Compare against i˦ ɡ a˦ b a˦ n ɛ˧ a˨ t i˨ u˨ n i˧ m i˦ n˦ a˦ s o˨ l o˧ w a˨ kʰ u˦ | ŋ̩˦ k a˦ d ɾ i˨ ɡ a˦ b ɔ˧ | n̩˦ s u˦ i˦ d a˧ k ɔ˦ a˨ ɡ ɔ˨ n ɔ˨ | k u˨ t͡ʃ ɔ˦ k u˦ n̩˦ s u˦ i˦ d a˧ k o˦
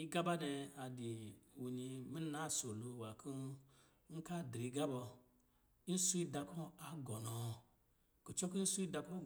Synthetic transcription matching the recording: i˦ ɡ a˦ b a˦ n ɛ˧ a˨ d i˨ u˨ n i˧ m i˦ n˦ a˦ s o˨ l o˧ w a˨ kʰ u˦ | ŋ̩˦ k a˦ d ɾ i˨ ɡ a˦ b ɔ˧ | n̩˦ s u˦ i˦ d a˧ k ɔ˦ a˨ ɡ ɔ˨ n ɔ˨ | k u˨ t͡ʃ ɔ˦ k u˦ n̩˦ s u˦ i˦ d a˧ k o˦